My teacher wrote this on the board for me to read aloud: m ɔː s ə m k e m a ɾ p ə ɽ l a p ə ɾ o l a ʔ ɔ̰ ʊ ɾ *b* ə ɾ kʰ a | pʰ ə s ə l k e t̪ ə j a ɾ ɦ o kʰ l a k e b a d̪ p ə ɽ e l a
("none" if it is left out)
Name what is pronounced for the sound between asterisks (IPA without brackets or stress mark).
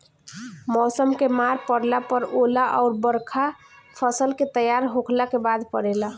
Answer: b